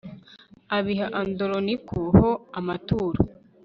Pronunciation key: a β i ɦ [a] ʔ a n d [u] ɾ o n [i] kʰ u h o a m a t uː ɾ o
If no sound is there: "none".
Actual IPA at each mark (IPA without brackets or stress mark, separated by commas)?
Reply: a, o, i